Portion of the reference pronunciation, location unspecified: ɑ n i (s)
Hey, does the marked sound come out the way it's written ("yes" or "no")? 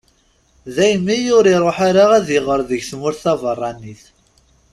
no